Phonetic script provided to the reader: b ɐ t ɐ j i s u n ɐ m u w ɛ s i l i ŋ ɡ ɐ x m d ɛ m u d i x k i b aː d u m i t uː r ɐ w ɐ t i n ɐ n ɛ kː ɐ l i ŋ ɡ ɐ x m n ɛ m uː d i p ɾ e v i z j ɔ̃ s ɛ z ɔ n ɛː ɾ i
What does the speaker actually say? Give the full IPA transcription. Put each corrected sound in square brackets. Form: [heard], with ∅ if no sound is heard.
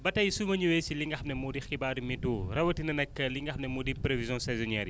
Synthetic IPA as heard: b ɐ t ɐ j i s u [m] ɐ [ɲ] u w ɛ s i l i ŋ ɡ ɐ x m [n] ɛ m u d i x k i b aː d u m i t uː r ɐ w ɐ t i n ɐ n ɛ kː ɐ l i ŋ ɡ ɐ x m n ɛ m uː d i p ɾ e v i z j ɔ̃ s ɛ z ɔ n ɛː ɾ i